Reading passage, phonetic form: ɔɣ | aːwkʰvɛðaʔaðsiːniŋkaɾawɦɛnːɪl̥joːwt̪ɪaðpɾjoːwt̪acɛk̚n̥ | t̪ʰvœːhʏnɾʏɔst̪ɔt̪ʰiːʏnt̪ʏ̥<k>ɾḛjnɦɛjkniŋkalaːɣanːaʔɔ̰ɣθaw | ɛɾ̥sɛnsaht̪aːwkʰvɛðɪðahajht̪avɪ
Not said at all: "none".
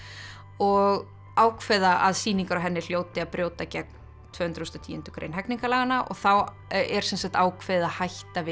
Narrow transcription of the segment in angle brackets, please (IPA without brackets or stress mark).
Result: k